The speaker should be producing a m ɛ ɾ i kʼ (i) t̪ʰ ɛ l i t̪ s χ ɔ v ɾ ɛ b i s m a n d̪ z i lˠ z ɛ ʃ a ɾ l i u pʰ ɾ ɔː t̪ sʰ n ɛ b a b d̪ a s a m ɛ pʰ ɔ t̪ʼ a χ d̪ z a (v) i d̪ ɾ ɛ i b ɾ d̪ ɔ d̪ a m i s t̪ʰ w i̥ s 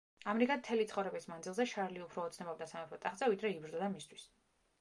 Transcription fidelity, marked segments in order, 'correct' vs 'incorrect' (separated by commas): incorrect, correct